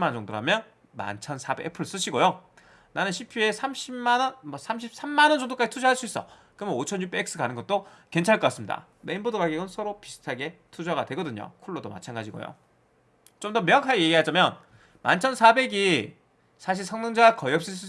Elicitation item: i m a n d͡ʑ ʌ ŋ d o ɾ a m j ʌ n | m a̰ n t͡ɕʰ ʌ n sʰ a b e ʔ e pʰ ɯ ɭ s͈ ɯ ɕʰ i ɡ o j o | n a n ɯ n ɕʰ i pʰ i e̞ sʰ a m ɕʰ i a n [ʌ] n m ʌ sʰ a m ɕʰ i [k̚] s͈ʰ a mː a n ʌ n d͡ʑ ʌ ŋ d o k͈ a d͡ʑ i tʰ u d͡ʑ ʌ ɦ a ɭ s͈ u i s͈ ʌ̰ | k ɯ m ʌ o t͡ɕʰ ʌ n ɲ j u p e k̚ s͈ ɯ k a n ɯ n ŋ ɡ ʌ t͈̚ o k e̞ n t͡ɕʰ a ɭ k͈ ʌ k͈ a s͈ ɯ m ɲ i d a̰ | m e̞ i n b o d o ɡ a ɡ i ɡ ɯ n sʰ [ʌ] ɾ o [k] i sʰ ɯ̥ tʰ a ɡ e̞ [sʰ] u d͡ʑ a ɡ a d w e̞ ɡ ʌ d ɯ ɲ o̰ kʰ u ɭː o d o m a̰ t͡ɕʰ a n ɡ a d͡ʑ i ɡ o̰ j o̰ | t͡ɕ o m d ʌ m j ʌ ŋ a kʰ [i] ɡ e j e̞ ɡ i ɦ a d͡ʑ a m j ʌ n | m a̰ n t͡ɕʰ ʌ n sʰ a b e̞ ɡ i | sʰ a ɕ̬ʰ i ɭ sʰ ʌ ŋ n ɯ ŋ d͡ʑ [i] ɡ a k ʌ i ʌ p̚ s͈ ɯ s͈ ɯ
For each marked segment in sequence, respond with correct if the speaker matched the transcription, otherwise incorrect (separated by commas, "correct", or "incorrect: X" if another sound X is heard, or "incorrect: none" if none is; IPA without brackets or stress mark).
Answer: correct, incorrect: p̚, correct, incorrect: p, incorrect: tʰ, incorrect: a, incorrect: a